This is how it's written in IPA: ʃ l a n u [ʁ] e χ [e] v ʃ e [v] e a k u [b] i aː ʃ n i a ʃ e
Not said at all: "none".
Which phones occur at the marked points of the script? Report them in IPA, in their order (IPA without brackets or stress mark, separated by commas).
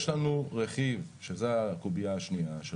ʁ, i, z, b